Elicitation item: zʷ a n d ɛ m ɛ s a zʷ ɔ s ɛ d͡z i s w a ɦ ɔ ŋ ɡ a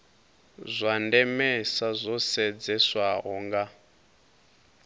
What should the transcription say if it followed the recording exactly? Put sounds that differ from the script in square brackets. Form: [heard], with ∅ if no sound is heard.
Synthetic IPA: zʷ a n d ɛ m ɛ s a zʷ ɔ s ɛ d͡z [ɛ] s w a ɦ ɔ ŋ ɡ a